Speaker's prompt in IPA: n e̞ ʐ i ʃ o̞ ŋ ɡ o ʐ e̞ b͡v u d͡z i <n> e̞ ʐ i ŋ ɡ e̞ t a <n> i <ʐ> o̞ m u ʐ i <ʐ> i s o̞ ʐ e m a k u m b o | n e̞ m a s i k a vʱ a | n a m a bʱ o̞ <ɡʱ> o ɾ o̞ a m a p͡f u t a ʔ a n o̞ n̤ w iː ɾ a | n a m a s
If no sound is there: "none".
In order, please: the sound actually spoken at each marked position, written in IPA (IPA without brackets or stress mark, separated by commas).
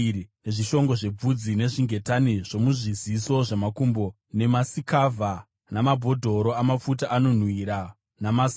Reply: n, n, ʐ, z, dʱ